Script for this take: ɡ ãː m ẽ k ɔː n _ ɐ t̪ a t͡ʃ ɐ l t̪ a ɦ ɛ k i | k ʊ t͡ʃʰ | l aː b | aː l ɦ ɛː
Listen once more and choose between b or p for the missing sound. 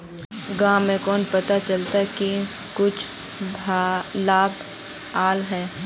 p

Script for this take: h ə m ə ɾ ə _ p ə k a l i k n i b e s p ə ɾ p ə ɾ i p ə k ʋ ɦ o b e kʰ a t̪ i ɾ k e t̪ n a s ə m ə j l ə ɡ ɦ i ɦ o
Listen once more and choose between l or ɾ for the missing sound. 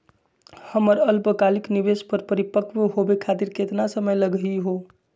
l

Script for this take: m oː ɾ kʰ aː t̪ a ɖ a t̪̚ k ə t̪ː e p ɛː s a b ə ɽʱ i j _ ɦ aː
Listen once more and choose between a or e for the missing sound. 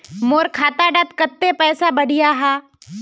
a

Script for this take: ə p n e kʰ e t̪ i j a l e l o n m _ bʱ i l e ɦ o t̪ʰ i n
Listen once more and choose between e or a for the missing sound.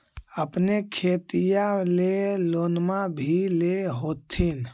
a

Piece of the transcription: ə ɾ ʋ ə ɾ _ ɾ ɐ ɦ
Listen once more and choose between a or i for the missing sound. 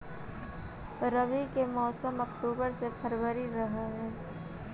i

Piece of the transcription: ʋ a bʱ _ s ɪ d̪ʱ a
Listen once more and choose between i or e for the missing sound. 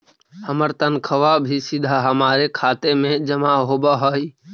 i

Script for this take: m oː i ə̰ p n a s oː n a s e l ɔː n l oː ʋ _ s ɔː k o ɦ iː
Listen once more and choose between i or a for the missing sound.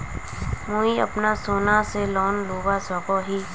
a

